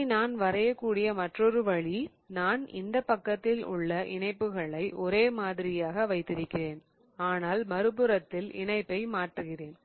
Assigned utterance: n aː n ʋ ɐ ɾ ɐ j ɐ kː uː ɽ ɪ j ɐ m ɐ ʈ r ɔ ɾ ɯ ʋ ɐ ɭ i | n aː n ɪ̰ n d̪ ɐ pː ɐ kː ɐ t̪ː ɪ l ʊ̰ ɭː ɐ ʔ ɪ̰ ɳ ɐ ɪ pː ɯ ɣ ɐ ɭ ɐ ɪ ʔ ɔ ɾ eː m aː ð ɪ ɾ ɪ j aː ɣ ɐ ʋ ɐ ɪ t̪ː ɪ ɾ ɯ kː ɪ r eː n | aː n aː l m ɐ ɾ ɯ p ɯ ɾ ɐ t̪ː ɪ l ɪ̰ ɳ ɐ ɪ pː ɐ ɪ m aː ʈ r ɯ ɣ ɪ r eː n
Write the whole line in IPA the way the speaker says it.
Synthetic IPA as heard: n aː n ʋ ɐ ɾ ɐ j ɐ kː uː ɽ ɪ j ɐ m ɐ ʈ r ɔ ɾ ɯ ʋ ɐ ɭ i | n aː n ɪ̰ n d̪ ɐ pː ɐ kː ɐ t̪ː ɪ l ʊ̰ ɭː ɐ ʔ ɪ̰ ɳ ɐ ɪ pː ɯ ɣ ɐ ɭ ɐ ɪ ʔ ɔ ɾ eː m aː ð ɪ ɾ ɪ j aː ɣ ɐ ʋ ɐ ɪ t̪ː ɪ ɾ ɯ kː ɪ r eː n | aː n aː l m ɐ ɾ ɯ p ɯ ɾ ɐ t̪ː ɪ l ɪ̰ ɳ ɐ ɪ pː ɐ ɪ m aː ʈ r ɯ ɣ ɪ r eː n